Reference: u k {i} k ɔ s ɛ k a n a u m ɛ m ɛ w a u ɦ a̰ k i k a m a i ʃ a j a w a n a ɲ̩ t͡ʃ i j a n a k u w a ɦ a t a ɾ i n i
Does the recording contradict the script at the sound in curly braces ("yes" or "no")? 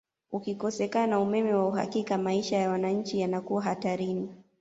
no